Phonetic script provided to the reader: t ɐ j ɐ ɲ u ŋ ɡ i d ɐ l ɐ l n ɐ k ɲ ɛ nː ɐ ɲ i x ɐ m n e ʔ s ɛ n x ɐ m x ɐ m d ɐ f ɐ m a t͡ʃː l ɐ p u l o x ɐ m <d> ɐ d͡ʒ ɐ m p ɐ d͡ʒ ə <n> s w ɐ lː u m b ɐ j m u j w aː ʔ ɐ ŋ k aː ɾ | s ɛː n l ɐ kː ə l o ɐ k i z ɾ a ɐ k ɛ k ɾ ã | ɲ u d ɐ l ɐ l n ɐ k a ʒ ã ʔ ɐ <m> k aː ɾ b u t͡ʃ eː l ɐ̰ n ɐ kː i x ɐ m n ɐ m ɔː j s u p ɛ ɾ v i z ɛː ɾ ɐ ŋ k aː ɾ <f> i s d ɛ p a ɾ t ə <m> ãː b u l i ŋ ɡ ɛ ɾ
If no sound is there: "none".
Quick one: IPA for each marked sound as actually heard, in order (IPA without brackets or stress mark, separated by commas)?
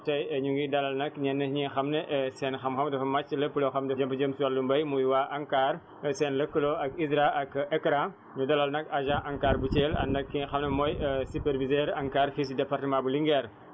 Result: d, m, ŋ, f, m